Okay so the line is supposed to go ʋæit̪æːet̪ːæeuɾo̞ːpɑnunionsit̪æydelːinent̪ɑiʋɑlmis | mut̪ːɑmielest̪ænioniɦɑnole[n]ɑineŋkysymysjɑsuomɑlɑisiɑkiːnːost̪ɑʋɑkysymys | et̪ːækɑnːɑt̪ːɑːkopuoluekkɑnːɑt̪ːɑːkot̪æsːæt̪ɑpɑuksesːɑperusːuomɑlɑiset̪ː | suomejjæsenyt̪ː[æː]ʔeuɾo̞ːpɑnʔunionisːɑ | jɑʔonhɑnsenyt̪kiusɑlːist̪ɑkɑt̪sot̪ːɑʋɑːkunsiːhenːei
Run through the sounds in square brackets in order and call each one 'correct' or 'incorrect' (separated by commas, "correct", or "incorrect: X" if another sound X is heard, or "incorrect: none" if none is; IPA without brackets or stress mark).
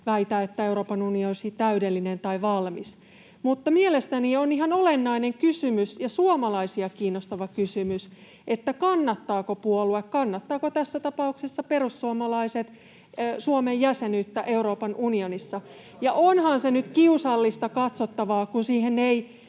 incorrect: nː, incorrect: æ